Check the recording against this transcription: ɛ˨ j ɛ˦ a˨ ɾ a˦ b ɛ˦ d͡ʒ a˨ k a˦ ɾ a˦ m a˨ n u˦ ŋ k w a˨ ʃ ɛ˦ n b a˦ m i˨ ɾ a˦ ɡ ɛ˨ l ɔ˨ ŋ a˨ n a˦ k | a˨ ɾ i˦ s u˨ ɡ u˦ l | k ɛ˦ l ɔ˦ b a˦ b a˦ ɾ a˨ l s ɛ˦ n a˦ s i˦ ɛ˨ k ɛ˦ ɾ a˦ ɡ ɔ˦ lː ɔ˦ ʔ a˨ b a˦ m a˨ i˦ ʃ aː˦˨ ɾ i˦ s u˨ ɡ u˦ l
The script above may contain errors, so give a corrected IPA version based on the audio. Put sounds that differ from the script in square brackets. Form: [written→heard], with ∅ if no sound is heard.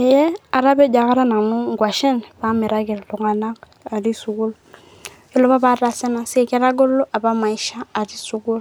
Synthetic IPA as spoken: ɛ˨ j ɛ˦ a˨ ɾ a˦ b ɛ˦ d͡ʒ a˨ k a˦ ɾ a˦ [m→n] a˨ n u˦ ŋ [k→ɡ] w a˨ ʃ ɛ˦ n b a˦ m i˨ ɾ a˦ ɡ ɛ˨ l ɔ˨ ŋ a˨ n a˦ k | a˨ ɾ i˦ s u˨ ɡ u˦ l | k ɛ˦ l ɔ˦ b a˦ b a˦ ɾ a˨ [l→∅] s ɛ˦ n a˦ s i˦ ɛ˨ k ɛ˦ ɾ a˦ ɡ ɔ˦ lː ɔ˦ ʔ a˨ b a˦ m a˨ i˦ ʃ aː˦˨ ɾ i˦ s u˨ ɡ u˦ l